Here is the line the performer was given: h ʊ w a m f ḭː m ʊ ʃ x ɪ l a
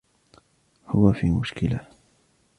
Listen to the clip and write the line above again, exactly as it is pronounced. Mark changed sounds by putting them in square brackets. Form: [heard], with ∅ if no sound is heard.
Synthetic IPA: h ʊ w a [∅] f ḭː m ʊ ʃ [k] ɪ l a